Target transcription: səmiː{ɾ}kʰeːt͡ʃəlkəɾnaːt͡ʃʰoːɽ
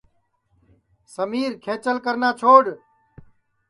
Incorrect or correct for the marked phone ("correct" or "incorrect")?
correct